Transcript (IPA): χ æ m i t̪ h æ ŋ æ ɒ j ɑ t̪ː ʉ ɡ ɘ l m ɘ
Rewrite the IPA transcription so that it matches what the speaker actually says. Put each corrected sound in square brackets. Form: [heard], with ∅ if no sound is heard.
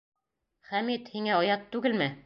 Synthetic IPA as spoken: χ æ m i t̪ h [i] ŋ æ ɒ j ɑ t̪ː ʉ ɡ ɘ l m ɘ